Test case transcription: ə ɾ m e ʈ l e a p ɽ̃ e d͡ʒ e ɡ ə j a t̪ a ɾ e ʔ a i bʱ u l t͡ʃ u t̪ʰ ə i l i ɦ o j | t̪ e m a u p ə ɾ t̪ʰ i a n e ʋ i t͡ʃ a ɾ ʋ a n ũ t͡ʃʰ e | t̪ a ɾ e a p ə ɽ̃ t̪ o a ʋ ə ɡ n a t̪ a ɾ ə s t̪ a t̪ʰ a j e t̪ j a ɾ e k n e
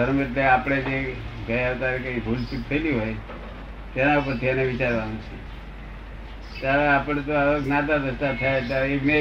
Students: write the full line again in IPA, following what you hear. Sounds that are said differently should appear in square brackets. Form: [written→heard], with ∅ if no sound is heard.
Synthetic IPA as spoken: ə ɾ m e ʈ l e a p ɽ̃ e d͡ʒ e ɡ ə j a t̪ a ɾ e [ʔ→k] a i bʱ u l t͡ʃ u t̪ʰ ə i l i ɦ o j | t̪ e [m→n] a u p ə ɾ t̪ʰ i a n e ʋ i t͡ʃ a ɾ ʋ a n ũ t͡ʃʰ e | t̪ a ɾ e a p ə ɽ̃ t̪ o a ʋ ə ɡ n a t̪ a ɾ ə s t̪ a t̪ʰ a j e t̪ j a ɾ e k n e